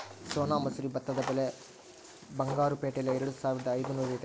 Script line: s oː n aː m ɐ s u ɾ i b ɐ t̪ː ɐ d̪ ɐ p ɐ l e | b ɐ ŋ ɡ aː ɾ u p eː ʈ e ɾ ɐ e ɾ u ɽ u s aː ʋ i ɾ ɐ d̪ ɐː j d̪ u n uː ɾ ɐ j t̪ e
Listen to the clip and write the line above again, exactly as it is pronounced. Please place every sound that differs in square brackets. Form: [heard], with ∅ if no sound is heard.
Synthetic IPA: s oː n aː m ɐ s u ɾ i b ɐ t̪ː ɐ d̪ ɐ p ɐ l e | b ɐ ŋ ɡ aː ɾ u p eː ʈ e [l] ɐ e ɾ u ɽ u s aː ʋ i ɾ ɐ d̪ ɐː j d̪ u n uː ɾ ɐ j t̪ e